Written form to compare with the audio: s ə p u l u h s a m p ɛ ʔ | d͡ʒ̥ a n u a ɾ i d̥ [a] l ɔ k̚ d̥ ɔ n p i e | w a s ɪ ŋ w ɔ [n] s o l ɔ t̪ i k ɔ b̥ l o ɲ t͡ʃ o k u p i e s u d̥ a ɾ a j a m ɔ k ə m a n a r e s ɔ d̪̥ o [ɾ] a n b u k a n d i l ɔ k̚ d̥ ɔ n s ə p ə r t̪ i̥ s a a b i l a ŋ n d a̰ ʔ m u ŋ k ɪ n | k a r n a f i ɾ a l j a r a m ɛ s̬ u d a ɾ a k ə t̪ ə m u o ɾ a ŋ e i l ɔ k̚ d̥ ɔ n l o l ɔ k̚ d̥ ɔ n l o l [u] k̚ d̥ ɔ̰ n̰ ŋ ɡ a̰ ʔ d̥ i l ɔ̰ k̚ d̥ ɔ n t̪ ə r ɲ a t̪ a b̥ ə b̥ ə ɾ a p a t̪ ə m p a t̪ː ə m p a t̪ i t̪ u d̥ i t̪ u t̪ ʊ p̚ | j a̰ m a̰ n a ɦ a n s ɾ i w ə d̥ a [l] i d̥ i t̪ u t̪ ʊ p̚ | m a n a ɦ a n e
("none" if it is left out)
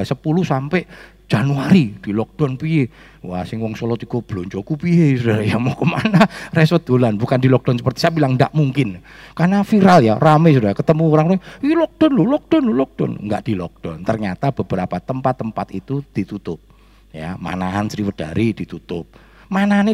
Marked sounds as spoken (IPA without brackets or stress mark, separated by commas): i, ŋ, l, ɔ, ɾ